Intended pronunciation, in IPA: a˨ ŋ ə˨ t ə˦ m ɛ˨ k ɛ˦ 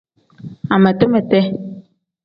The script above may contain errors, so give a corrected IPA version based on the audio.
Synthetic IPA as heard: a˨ m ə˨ t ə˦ m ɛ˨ t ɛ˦